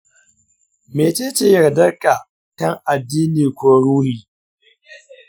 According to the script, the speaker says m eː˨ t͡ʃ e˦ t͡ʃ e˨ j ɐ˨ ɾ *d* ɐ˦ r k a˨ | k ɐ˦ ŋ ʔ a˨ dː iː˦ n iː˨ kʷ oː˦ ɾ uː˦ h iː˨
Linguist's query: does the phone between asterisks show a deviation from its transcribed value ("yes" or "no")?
no